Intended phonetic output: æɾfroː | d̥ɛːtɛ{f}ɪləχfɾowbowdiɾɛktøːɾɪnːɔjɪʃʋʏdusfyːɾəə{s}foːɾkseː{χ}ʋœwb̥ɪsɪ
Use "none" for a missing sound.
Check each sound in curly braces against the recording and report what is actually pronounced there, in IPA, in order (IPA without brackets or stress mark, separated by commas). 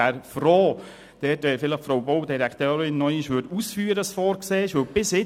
f, s, ʃ